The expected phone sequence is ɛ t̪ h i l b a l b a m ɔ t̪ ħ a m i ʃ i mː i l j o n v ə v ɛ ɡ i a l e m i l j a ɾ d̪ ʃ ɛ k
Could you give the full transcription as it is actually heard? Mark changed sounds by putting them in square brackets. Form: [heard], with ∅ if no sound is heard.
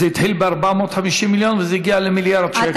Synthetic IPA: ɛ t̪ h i l b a [ɾ] b a m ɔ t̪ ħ a m i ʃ i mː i l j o n v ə [z] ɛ ɡ i a l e m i l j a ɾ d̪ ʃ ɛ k